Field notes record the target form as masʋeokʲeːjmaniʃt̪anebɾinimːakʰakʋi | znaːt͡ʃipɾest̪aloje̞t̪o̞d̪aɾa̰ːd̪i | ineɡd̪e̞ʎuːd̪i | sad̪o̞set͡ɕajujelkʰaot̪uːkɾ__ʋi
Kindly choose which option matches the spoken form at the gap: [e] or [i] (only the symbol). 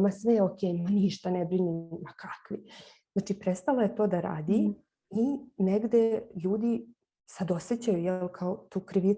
i